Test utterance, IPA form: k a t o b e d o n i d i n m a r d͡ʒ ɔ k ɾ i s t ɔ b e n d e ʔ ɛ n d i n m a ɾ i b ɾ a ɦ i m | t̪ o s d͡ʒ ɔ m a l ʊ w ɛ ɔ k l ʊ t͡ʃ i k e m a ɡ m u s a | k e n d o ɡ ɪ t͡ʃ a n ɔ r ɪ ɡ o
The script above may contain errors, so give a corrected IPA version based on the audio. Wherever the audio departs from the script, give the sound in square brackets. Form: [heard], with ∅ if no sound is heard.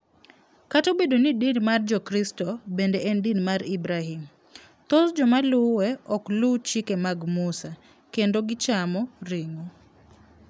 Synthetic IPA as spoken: k a t o b e d o n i d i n m a r d͡ʒ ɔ k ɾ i s t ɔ b e n d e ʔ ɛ n d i n m a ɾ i b ɾ a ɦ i m | t̪ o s d͡ʒ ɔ m a l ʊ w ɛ ɔ k l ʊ t͡ʃ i k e m a ɡ m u s a | k e n d o ɡ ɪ t͡ʃ a [m] ɔ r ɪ [ŋ] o